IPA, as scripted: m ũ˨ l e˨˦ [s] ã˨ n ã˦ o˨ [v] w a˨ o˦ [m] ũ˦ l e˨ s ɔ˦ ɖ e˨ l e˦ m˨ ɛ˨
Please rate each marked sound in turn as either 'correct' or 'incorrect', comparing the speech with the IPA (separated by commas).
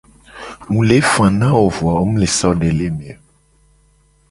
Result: incorrect, correct, correct